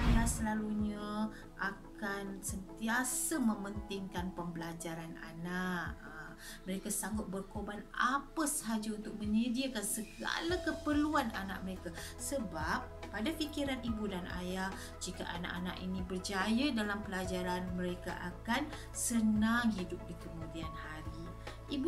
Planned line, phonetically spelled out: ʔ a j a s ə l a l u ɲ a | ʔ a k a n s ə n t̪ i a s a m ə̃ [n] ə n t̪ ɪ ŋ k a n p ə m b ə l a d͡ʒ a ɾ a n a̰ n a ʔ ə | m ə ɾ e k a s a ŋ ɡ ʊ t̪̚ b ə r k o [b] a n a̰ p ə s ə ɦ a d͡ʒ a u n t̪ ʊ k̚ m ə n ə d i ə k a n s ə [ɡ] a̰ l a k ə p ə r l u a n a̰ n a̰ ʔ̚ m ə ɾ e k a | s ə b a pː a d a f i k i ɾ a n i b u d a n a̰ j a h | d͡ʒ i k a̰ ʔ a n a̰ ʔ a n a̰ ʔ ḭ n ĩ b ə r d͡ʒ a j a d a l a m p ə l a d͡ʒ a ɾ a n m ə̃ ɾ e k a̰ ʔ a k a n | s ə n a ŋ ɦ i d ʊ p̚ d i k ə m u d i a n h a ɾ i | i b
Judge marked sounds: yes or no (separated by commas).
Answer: no, yes, yes